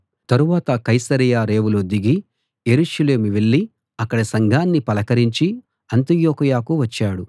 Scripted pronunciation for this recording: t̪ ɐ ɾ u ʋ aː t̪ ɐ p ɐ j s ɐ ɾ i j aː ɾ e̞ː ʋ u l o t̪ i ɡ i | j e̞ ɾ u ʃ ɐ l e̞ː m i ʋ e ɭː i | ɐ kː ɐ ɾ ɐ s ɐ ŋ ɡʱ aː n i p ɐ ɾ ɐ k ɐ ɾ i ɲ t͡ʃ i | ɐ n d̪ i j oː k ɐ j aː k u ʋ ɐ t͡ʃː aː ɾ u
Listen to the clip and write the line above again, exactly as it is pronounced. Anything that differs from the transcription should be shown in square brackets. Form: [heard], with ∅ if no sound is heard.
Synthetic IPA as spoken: t̪ ɐ ɾ u ʋ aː t̪ ɐ [k] ɐ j s ɐ ɾ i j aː ɾ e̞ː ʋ u l o [d̪] i ɡ i | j e̞ ɾ u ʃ ɐ l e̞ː m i ʋ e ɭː i | ɐ kː ɐ [ɽ] ɐ s ɐ ŋ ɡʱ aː [nː] i p ɐ [l] ɐ k ɐ ɾ i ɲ t͡ʃ i | ɐ n [t̪] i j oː k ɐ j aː k u ʋ ɐ t͡ʃː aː [ɽ] u

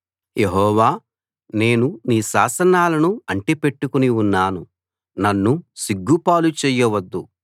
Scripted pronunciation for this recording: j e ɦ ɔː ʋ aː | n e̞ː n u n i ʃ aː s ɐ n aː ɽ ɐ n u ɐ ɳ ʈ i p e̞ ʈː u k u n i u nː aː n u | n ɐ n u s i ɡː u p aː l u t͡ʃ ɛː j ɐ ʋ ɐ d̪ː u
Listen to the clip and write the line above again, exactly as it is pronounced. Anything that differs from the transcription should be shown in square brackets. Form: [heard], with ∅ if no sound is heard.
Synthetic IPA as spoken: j e ɦ ɔː ʋ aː | n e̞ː n u n [iː] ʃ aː s ɐ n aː [l] ɐ n u ɐ ɳ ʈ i p e̞ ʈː u k u n i u nː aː n u | n ɐ [nː] u s i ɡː u p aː l u t͡ʃ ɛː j ɐ ʋ ɐ d̪ː u

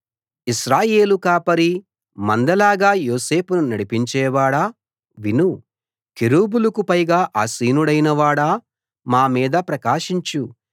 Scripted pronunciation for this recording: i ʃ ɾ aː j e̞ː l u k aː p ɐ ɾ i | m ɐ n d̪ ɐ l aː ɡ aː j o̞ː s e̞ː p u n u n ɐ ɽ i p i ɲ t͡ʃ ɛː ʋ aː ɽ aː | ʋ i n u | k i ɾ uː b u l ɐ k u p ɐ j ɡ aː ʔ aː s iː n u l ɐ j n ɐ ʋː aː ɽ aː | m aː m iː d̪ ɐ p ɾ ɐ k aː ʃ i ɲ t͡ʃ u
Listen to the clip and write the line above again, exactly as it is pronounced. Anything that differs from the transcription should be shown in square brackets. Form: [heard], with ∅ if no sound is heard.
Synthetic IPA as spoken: i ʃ ɾ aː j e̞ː l u k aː p ɐ ɾ i | m ɐ n d̪ ɐ l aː ɡ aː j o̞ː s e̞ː p u n u n ɐ ɽ i p i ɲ t͡ʃ ɛː ʋ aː ɽ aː | ʋ i n u | k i ɾ uː b u l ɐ k u p ɐ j ɡ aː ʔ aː s iː n u [ɽ] ɐ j n ɐ [ʋ] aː ɽ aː | m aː m iː d̪ ɐ p ɾ ɐ k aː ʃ i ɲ t͡ʃ u

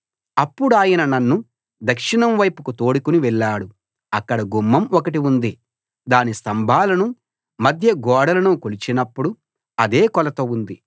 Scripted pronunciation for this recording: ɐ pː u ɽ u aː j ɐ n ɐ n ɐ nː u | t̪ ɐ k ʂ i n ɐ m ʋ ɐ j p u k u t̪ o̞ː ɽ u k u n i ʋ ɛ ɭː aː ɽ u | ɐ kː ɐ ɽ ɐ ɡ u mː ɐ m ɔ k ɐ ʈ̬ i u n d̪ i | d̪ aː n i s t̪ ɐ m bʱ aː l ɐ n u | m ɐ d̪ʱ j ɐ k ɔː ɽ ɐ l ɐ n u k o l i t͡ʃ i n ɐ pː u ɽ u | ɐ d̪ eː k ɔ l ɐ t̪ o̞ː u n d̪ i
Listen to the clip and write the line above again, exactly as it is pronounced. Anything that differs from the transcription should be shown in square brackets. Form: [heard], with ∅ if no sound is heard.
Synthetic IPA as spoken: ɐ pː u ɽ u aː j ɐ n ɐ n ɐ nː u | [d̪] ɐ k ʂ i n ɐ m ʋ ɐ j p u k u t̪ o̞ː ɽ u k u n i ʋ ɛ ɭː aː ɽ u | ɐ kː ɐ ɽ ɐ ɡ u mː ɐ m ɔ k ɐ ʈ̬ i u n d̪ i | d̪ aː n i s t̪ ɐ m bʱ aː l ɐ n u | m ɐ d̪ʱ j ɐ [ɡ] ɔː ɽ ɐ l ɐ n u k o l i t͡ʃ i n ɐ pː u ɽ u | ɐ d̪ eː k ɔ l ɐ t̪ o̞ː u n d̪ i

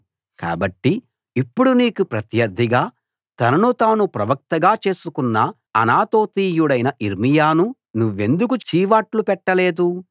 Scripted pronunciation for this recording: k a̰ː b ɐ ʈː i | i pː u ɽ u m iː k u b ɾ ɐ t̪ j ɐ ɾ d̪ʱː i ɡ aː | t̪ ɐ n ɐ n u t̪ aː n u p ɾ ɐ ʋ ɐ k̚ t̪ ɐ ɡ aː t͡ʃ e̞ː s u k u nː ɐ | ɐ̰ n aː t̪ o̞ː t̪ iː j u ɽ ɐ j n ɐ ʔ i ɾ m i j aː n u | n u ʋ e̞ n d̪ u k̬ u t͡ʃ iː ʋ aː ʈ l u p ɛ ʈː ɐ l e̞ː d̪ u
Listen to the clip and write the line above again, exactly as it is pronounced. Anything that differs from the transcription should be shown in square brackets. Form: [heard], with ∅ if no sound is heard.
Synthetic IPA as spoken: k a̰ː b ɐ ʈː i | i pː u ɽ u [n] iː k u [p] ɾ ɐ t̪ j ɐ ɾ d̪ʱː i ɡ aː | t̪ ɐ n ɐ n u t̪ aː n u p ɾ ɐ ʋ ɐ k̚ t̪ ɐ ɡ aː t͡ʃ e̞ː s u k u nː ɐ | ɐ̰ n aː t̪ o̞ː t̪ iː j u ɽ ɐ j n ɐ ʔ i ɾ m i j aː n u | n u [ʋː] e̞ n d̪ u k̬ u t͡ʃ iː ʋ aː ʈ l u p ɛ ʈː ɐ l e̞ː d̪ u

